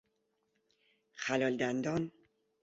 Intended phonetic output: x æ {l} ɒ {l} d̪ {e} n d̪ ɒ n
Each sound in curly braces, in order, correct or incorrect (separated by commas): correct, correct, incorrect